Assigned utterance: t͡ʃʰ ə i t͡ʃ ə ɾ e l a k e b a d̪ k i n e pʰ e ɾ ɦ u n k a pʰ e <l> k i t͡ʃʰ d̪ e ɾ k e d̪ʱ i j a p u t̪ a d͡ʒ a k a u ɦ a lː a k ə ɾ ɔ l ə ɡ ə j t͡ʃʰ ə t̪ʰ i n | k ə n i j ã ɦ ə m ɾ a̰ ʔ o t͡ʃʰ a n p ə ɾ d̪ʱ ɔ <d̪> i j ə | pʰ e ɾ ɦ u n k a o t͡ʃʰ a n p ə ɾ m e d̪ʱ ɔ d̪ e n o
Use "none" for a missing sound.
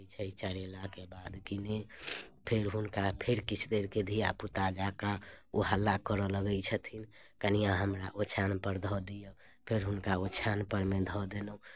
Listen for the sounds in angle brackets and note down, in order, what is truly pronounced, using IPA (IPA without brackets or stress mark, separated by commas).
ɾ, d̪